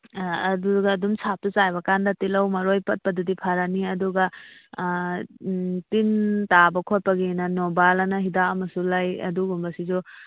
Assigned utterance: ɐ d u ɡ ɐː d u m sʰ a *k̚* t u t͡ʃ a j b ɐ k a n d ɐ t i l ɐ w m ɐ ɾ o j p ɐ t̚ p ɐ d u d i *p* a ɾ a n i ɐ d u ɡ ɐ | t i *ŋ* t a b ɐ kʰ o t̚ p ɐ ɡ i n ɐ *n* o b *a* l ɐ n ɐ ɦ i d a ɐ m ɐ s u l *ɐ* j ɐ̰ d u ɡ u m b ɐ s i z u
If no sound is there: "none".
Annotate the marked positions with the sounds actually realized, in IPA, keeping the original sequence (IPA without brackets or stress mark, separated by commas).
p̚, pʰ, n, n, a, a